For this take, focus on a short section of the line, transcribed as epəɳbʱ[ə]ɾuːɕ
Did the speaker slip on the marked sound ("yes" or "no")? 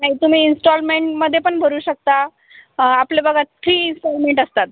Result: no